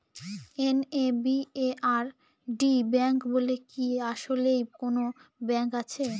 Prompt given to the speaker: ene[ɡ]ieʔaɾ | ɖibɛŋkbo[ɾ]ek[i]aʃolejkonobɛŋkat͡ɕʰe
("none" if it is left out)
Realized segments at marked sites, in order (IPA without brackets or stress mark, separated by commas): b, l, i